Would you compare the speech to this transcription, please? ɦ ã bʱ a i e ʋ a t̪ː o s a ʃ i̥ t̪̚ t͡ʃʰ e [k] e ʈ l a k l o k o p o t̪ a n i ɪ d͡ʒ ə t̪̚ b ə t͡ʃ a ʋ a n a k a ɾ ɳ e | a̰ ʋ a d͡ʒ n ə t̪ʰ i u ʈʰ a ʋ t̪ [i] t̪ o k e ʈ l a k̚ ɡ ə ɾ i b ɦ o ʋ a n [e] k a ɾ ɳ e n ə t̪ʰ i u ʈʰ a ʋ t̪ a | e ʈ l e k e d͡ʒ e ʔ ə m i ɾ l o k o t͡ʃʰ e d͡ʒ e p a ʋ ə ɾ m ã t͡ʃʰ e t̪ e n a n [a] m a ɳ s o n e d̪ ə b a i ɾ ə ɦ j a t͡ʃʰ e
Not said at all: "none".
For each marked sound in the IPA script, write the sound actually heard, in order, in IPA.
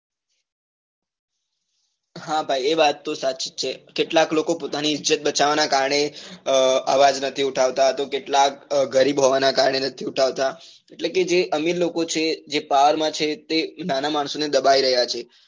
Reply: k, a, a, a

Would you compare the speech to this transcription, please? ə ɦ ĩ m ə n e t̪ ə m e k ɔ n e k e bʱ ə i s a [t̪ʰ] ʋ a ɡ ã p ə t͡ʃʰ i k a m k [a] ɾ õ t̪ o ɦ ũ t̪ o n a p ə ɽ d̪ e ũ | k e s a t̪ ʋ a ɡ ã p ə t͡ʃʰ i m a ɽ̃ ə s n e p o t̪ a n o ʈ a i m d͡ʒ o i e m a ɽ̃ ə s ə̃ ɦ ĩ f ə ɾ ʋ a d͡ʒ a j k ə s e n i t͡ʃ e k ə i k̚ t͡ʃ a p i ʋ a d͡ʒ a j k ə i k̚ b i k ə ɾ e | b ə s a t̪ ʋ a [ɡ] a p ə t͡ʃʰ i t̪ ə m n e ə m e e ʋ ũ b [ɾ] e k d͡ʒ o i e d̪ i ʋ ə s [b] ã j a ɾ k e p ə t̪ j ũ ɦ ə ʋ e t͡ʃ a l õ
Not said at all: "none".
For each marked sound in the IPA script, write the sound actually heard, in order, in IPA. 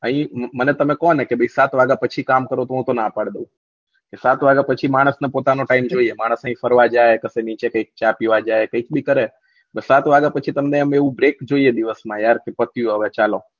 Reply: t̪, ə, ɡ, ɾ, m

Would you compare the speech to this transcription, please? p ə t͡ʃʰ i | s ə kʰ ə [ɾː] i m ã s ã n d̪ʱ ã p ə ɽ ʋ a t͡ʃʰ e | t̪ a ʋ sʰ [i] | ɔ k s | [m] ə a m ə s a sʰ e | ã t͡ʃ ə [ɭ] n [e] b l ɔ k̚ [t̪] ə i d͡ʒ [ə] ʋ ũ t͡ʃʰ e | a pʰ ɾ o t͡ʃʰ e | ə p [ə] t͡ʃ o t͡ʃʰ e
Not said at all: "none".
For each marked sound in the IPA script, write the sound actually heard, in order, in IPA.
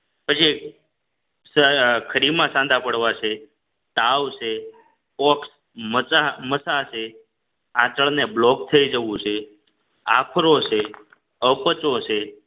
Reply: ɾ, e, m, ɭ, e, t̪ʰ, ə, ə

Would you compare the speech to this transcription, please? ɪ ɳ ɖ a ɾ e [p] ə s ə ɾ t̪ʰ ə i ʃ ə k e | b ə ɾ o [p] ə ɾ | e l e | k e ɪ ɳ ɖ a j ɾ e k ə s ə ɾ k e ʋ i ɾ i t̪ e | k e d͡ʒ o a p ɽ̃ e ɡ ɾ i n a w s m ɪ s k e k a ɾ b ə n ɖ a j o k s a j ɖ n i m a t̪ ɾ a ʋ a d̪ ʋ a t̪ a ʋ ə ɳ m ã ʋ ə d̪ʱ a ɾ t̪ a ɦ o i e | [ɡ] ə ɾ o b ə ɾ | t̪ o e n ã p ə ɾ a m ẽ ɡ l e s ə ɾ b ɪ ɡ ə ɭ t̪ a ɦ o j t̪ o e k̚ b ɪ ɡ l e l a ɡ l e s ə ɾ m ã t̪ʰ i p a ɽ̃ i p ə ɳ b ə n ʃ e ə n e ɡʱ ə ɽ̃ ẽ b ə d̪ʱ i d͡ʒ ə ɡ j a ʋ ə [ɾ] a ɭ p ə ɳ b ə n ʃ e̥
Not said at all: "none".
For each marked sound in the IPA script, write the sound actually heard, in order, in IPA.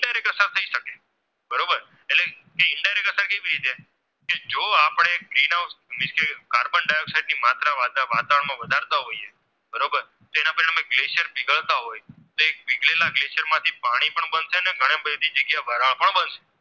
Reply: k, b, b, ɾ

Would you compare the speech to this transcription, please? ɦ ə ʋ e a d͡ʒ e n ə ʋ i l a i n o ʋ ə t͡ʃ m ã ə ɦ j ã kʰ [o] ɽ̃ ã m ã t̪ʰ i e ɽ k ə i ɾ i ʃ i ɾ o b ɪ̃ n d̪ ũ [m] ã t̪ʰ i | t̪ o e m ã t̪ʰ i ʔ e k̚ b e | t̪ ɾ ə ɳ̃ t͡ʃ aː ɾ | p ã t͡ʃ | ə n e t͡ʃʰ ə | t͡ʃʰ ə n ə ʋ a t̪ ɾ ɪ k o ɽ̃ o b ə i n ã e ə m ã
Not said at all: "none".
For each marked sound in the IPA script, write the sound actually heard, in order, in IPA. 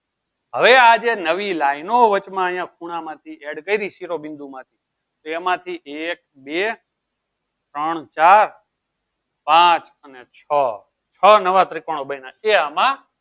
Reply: u, m

